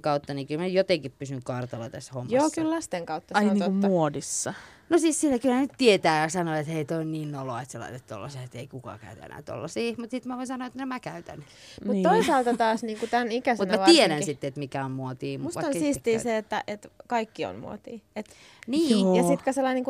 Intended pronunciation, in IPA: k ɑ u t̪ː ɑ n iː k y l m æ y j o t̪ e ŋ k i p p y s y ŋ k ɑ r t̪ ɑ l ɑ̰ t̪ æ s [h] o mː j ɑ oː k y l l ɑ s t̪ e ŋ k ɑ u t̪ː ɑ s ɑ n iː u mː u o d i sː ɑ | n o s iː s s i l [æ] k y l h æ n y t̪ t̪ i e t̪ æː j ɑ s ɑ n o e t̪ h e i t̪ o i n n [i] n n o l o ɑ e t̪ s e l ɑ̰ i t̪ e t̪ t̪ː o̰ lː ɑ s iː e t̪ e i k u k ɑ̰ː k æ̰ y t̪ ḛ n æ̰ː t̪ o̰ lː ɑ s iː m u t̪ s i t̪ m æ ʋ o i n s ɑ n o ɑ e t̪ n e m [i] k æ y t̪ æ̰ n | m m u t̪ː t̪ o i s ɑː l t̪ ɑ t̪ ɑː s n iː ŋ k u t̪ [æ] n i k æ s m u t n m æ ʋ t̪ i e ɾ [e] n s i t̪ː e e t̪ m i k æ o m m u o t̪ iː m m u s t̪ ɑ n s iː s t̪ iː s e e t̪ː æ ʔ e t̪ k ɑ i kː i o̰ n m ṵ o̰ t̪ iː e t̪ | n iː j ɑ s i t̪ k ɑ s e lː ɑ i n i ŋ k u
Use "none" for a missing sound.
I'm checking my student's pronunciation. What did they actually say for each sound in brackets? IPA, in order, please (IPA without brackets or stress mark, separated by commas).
h, æ, iː, æ, æ, æ